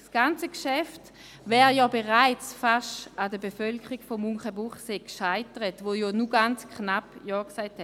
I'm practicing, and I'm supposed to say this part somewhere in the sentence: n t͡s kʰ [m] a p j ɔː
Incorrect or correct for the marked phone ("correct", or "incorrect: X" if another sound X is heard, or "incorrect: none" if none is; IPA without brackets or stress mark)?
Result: incorrect: n